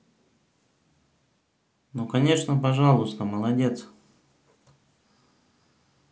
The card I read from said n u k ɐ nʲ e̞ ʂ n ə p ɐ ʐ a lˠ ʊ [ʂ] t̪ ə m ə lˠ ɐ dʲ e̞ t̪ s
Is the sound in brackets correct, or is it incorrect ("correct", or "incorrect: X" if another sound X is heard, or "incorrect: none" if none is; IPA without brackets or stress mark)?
incorrect: s